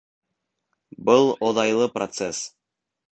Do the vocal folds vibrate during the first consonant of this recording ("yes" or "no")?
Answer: yes